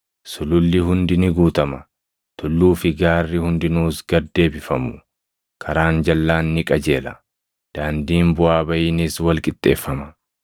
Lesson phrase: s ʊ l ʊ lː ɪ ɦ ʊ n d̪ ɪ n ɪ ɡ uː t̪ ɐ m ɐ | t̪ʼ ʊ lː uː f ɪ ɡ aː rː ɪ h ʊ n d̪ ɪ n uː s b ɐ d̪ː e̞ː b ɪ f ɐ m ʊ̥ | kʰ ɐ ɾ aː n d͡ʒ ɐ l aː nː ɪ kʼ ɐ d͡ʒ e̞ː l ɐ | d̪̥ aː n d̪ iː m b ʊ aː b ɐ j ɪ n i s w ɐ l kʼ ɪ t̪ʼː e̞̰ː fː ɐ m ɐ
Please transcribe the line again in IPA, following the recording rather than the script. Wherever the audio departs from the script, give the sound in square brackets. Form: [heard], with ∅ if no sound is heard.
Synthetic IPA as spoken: s ʊ l ʊ lː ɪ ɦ ʊ n d̪ ɪ n ɪ ɡ uː t̪ ɐ m ɐ | [t̪] ʊ lː uː f ɪ ɡ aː rː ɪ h ʊ n d̪ ɪ n uː s [ɡ] ɐ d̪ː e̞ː b ɪ f ɐ m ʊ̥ | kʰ ɐ ɾ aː n d͡ʒ ɐ [lː] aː nː ɪ kʼ ɐ d͡ʒ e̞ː l ɐ | d̪̥ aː n d̪ iː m b ʊ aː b ɐ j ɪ n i s w ɐ l kʼ ɪ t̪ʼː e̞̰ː fː ɐ m ɐ